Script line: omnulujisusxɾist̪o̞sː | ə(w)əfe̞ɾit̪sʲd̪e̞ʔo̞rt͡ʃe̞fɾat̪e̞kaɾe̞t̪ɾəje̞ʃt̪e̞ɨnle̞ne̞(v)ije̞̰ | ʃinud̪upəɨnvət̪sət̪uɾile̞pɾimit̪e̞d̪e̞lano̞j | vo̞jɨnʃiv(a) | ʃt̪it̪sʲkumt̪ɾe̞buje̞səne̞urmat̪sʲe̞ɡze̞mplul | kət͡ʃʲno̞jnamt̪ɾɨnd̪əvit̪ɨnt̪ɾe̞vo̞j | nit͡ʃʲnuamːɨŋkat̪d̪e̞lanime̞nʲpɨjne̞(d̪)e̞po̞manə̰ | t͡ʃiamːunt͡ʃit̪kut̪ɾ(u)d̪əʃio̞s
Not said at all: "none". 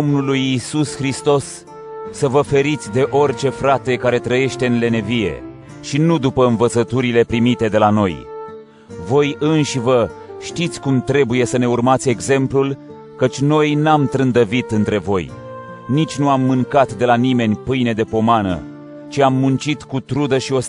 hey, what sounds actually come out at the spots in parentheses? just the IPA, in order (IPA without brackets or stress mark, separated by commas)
v, v, ə, d̪, u